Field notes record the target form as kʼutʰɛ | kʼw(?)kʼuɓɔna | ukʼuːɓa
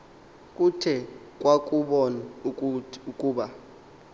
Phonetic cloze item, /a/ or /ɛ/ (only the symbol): a